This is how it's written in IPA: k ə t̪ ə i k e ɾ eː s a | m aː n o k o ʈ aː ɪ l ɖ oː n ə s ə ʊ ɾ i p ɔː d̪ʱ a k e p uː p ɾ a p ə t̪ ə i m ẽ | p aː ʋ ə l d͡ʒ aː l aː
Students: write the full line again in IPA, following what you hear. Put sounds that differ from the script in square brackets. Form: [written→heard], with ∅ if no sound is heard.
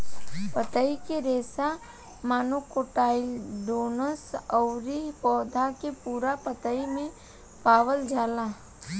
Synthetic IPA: [k→p] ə t̪ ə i k e ɾ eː s a | m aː n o k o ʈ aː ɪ l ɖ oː n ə s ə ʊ ɾ i p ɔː d̪ʱ a k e p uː [p→∅] ɾ a p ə t̪ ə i m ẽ | p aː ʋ ə l d͡ʒ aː l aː